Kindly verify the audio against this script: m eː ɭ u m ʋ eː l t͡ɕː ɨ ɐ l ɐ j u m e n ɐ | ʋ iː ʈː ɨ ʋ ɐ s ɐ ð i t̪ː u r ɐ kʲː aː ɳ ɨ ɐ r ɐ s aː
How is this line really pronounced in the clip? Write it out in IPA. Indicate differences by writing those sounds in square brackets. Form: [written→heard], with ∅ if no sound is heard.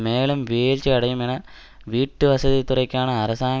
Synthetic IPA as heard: m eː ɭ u m ʋ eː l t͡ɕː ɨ ɐ [l→ɽ] ɐ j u m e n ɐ | ʋ iː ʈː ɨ ʋ ɐ s ɐ ð i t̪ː u r ɐ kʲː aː ɳ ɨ ɐ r ɐ s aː